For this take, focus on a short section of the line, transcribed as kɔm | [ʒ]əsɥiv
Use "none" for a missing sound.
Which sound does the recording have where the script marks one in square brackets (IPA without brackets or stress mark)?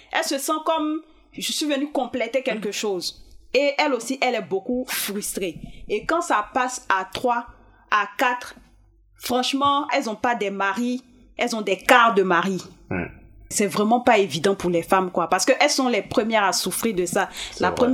ʒ